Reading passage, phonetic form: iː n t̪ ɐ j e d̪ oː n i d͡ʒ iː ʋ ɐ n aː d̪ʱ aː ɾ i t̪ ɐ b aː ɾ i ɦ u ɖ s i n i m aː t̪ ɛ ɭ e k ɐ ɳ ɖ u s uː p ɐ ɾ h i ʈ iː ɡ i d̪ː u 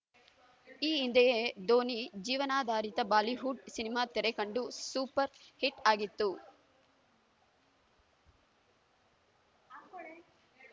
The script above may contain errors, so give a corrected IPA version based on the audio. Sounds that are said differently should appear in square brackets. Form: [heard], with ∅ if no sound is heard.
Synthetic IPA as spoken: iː n [d̪] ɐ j e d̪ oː n i d͡ʒ iː ʋ ɐ n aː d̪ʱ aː ɾ i t̪ ɐ b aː [l] i ɦ u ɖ s i n i m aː t̪ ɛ [ɾ] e k ɐ ɳ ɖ u s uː p ɐ ɾ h i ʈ [aː] ɡ i [t̪ː] u

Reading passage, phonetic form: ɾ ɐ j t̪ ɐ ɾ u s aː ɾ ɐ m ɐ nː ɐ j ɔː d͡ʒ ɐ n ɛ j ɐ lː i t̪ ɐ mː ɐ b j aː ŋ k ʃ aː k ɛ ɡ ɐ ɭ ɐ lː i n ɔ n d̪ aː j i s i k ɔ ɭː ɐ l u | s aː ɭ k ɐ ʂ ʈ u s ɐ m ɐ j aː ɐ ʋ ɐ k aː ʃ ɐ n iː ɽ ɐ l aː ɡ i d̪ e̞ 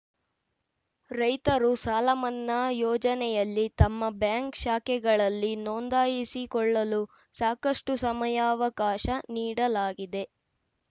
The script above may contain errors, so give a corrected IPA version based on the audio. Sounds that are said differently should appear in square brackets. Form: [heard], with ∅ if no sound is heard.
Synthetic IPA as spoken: ɾ ɐ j t̪ ɐ ɾ u s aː [l] ɐ m ɐ nː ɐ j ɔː d͡ʒ ɐ n ɛ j ɐ lː i t̪ ɐ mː ɐ b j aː ŋ k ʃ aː k ɛ ɡ ɐ ɭ ɐ lː i n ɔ n d̪ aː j i s i k ɔ ɭː ɐ l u | s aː [∅] k ɐ ʂ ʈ u s ɐ m ɐ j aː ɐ ʋ ɐ k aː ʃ ɐ n iː ɽ ɐ l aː ɡ i d̪ e̞

